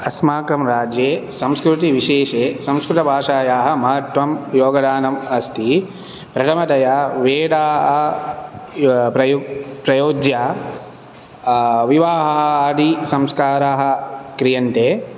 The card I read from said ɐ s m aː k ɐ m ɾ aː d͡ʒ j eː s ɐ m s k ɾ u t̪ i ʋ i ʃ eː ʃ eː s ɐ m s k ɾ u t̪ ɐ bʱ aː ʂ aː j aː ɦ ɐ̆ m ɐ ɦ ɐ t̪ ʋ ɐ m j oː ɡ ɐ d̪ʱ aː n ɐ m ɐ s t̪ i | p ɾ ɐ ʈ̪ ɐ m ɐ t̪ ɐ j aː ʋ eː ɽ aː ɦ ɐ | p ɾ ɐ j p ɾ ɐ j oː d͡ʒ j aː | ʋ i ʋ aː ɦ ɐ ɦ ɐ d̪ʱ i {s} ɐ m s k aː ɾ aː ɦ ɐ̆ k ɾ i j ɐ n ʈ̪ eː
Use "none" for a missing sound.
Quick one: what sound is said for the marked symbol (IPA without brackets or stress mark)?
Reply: s